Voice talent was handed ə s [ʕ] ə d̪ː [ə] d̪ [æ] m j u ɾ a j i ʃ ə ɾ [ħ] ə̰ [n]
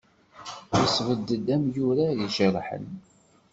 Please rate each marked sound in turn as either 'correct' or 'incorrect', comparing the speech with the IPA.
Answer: incorrect: v, correct, correct, correct, correct

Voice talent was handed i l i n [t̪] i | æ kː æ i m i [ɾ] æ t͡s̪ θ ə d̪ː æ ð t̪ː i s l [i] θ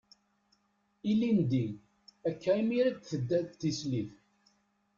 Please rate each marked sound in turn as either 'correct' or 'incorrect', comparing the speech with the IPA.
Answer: incorrect: d̪, correct, correct

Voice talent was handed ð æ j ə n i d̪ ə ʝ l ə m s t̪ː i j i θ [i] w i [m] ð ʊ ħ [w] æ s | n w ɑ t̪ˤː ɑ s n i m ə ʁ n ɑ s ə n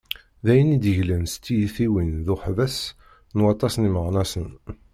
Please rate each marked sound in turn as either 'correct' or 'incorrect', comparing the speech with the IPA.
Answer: correct, incorrect: n, incorrect: v

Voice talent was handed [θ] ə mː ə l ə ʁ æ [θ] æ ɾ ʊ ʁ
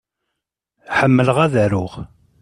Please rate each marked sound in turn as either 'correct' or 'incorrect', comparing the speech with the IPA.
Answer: incorrect: ħ, incorrect: ð

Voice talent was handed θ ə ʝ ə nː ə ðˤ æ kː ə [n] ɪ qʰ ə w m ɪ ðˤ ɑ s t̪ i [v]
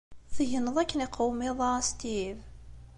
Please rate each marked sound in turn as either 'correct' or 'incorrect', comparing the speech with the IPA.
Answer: correct, correct

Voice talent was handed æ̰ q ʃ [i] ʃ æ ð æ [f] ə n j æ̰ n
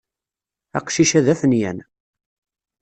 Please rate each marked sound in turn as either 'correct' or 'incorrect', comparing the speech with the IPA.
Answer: correct, correct

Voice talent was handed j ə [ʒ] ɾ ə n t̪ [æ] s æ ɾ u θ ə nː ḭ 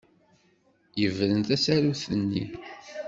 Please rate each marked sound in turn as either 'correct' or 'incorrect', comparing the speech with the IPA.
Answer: incorrect: v, correct

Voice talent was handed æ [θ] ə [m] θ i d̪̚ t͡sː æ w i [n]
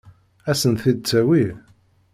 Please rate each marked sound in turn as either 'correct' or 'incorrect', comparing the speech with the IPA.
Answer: incorrect: s, incorrect: n, incorrect: none

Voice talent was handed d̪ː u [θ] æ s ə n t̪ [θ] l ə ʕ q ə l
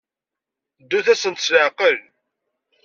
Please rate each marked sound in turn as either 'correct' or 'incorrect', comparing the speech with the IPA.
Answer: correct, incorrect: s

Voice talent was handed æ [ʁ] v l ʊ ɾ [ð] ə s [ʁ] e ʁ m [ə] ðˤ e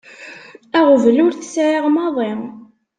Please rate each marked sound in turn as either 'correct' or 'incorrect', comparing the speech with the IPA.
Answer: correct, incorrect: θ, incorrect: ʕ, incorrect: ɑ

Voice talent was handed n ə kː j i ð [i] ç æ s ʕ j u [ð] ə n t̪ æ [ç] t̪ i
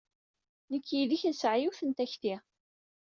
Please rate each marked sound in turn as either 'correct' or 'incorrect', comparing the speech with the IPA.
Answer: correct, incorrect: θ, correct

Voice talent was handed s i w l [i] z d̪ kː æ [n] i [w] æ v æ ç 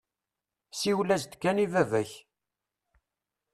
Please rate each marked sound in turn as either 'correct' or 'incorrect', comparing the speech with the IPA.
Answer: incorrect: æ, correct, incorrect: v

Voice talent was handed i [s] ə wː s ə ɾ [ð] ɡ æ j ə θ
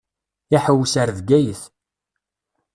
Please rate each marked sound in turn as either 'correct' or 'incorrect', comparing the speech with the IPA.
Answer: incorrect: ħ, correct

